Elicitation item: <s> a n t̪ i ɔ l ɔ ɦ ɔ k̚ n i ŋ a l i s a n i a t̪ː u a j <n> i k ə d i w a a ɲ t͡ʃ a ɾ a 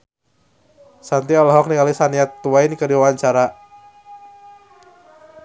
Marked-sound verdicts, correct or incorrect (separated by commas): correct, correct